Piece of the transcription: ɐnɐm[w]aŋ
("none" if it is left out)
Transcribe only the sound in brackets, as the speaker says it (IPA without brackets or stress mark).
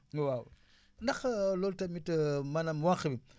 w